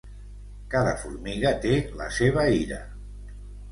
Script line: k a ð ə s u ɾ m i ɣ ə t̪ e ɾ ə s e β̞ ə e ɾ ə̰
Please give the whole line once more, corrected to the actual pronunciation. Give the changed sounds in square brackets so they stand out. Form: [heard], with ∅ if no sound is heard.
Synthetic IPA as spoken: k a ð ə [f] u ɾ m i ɣ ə t̪ e [l] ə s e β̞ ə [i] ɾ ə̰